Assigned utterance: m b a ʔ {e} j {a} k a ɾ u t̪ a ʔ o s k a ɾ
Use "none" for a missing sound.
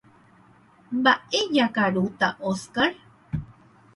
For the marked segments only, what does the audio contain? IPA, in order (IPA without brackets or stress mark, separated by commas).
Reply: e, a